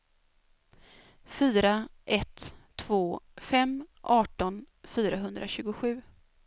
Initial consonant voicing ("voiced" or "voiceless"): voiceless